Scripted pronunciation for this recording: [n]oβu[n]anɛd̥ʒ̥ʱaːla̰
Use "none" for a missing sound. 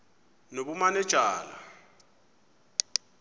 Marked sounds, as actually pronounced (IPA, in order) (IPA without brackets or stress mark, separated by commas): n, m